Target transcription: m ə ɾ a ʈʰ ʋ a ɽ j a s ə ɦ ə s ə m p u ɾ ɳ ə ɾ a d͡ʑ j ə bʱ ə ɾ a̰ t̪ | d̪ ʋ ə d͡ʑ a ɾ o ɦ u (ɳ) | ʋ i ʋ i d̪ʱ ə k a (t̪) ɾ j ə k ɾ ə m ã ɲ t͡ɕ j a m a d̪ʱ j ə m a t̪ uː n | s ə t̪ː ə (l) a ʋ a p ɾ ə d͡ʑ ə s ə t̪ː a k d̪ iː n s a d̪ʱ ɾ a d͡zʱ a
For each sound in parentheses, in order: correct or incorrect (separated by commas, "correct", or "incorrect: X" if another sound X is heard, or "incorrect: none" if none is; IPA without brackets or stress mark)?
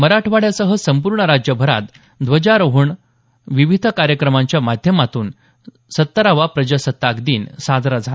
correct, incorrect: none, incorrect: ɾ